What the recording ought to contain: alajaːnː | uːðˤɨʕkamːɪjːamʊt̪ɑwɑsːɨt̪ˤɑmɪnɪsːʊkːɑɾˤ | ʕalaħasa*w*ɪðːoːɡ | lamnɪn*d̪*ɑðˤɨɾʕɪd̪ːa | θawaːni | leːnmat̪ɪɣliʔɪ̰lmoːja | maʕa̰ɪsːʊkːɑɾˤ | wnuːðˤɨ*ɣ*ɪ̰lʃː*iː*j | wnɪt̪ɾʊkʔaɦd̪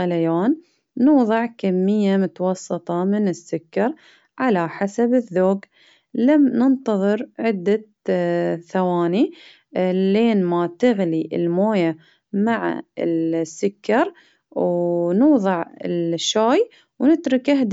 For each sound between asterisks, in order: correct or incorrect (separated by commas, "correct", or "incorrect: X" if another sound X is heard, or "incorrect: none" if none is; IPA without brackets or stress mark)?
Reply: incorrect: b, incorrect: t̪, incorrect: ʕ, incorrect: aː